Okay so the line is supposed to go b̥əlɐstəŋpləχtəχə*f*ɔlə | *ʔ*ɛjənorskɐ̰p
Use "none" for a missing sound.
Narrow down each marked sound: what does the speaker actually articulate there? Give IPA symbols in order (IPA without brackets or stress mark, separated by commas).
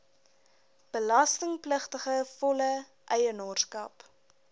f, ʔ